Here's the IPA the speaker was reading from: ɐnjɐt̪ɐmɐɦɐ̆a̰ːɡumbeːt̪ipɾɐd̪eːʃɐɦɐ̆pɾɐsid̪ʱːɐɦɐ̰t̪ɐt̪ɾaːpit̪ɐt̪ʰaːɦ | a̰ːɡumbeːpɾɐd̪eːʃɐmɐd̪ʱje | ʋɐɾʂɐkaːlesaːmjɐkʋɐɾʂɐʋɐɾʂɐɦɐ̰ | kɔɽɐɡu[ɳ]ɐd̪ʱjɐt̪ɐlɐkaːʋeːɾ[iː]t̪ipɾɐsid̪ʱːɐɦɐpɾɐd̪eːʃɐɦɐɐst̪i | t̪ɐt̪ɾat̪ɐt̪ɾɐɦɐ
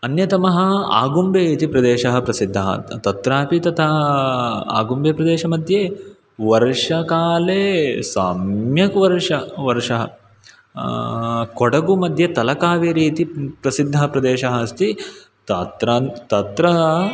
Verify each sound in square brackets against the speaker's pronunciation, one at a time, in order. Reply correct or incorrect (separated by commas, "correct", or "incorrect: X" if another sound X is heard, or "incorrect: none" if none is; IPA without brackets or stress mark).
incorrect: m, correct